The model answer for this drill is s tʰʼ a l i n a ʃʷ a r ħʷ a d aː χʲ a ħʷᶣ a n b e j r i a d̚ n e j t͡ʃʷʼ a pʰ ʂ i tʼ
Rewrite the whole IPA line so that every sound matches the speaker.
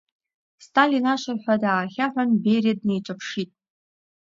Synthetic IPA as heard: s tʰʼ a l i n a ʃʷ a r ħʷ a d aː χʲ a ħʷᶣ a n b e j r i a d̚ n e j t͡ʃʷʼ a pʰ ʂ i tʼ